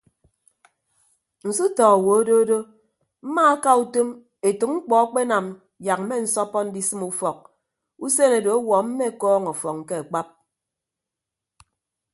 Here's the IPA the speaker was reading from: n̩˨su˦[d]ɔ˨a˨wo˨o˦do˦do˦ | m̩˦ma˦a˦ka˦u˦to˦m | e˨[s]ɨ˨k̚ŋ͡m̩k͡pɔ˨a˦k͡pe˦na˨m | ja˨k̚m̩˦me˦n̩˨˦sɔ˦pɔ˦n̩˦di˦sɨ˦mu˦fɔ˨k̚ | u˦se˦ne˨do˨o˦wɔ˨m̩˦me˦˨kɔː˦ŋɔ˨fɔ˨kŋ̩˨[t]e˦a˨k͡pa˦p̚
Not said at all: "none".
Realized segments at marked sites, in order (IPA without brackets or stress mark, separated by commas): t, t, k